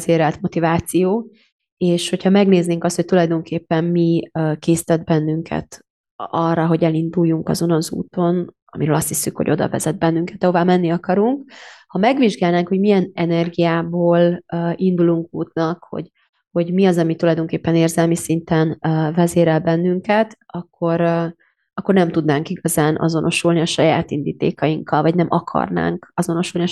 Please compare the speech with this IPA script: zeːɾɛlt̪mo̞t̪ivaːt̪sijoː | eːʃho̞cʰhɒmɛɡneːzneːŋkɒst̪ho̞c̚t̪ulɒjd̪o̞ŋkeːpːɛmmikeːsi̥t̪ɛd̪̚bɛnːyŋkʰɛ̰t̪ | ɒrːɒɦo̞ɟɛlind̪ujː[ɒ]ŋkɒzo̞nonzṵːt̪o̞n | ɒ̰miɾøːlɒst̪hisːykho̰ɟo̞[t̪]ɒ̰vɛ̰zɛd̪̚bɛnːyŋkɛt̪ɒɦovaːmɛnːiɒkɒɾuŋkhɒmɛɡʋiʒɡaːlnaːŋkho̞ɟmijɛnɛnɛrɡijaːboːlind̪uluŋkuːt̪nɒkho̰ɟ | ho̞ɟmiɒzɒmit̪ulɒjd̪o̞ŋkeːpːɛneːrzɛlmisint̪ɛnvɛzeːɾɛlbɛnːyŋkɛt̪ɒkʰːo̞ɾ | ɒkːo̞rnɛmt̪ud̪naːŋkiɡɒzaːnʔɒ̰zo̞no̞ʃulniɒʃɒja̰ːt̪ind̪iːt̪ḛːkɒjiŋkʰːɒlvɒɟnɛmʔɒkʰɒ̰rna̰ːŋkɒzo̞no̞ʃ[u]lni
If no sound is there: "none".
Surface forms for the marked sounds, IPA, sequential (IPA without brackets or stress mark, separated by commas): u, d̪, u